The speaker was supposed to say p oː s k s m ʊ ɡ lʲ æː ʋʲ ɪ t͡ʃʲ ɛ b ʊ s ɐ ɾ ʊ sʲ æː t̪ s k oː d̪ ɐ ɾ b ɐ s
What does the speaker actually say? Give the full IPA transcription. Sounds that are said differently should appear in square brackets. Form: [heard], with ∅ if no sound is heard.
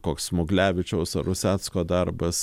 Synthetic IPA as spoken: [k] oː [∅] k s m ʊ ɡ lʲ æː ʋʲ ɪ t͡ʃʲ ɛ [∅] ʊ s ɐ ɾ ʊ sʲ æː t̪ s k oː d̪ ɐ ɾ b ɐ s

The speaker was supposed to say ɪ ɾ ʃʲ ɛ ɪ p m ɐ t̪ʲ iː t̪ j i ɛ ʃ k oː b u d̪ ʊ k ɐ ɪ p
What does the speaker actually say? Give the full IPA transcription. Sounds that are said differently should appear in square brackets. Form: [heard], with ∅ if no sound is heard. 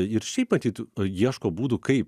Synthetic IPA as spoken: ɪ ɾ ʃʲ ɛ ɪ p m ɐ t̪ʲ iː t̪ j i ɛ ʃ k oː b [uː] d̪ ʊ k ɐ ɪ p

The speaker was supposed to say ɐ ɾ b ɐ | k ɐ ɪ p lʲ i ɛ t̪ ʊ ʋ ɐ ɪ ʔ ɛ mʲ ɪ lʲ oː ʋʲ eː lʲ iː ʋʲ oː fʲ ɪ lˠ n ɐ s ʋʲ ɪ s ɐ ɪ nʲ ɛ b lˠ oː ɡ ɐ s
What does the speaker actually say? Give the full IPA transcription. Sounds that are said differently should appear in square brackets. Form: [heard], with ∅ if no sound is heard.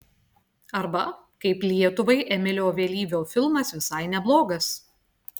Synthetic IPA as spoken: ɐ ɾ b ɐ | k ɐ ɪ p lʲ i ɛ t̪ ʊ ʋ ɐ ɪ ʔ ɛ mʲ ɪ lʲ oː ʋʲ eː lʲ iː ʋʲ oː fʲ ɪ lˠ [m] ɐ s ʋʲ ɪ s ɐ ɪ nʲ ɛ b lˠ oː ɡ ɐ s

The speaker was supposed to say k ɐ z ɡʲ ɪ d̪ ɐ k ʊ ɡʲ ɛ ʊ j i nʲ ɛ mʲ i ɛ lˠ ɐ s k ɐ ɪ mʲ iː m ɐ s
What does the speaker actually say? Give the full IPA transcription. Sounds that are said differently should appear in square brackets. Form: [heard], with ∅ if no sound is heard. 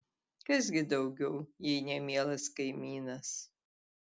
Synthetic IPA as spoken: k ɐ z ɡʲ ɪ d̪ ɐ [∅] ʊ ɡʲ ɛ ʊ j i nʲ ɛ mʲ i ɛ lˠ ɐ s k ɐ ɪ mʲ iː [n] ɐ s

